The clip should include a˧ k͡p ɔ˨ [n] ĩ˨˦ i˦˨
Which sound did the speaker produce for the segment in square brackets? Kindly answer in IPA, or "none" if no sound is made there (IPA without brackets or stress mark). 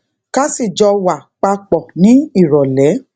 n